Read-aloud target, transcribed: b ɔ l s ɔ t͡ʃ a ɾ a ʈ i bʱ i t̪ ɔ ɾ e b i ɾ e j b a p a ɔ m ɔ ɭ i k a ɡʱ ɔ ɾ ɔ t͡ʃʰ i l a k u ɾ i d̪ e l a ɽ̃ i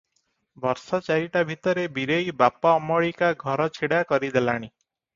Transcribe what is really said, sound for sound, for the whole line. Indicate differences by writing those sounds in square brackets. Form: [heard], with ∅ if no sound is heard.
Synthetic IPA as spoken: b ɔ [ɾ] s ɔ t͡ʃ a ɾ [i] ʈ [a] bʱ i t̪ ɔ ɾ e b i ɾ e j b a p a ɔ m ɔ ɭ i k a ɡʱ ɔ ɾ ɔ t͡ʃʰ i [ɽ] a k [ɔ] ɾ i d̪ e l a ɽ̃ i